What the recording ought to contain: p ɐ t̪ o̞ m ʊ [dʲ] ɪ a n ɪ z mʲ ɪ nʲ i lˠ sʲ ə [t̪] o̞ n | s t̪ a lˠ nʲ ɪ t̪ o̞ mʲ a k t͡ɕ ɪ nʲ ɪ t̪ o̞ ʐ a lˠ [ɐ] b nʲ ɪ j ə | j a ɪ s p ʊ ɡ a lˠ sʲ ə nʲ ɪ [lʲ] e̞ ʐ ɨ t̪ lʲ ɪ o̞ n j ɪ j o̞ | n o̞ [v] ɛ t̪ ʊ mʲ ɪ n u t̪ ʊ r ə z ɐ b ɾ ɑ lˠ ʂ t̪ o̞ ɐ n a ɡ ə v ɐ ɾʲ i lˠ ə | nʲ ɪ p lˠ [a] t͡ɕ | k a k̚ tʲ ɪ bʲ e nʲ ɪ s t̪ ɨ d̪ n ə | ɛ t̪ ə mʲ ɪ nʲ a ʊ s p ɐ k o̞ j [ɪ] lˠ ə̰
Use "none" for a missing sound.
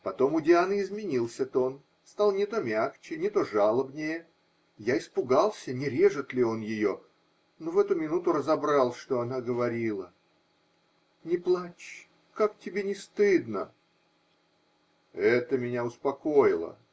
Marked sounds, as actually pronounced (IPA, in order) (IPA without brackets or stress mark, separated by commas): dʲ, t̪, ə, ɾʲ, v, a, ɪ